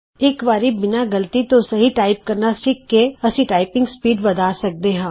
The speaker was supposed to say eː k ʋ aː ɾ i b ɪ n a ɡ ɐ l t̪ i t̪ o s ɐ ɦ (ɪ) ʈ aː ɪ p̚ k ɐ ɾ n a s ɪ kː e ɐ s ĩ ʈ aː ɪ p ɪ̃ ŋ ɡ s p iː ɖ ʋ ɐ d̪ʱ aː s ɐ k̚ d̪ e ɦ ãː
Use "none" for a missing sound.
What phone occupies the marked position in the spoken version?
i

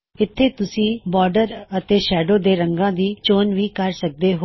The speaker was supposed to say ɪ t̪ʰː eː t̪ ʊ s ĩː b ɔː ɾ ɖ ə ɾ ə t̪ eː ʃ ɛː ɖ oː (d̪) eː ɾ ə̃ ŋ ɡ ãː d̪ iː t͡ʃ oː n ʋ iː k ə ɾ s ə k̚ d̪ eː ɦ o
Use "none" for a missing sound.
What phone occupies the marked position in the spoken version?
d̪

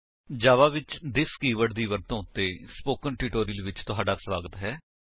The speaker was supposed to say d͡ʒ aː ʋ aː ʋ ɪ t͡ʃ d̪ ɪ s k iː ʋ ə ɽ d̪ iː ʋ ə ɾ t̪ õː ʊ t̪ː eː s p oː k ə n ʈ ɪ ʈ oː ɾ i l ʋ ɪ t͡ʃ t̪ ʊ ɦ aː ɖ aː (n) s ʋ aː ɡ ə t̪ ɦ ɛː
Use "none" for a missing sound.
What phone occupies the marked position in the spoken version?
none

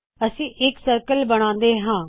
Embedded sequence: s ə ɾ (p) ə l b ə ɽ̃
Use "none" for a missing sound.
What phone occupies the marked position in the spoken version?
k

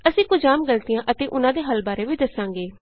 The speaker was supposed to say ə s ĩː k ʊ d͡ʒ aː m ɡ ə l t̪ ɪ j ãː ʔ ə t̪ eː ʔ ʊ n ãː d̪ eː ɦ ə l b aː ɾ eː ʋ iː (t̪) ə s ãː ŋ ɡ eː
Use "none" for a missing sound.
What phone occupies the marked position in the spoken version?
d̪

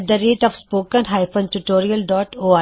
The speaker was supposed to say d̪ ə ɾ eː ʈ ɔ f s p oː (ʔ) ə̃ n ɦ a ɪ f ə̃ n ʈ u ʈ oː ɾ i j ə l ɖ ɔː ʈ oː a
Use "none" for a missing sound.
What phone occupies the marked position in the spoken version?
k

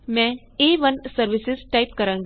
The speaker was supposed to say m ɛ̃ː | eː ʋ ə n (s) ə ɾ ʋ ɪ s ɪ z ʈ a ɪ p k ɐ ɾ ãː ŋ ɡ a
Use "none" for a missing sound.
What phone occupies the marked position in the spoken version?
s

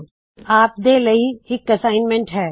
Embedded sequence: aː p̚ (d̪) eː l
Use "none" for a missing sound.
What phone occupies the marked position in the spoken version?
d̪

